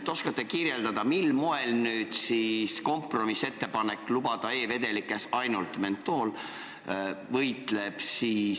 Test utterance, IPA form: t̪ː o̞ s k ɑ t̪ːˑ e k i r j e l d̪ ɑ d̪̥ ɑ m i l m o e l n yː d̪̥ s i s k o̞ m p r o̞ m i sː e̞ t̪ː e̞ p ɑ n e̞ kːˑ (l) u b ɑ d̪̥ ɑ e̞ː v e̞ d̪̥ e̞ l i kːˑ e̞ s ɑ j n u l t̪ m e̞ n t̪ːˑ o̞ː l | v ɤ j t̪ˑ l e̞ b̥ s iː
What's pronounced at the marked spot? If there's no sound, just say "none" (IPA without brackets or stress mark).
l